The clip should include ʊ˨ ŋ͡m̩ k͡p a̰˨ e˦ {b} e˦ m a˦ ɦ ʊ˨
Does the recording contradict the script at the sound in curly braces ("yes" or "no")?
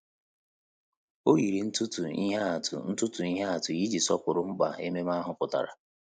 yes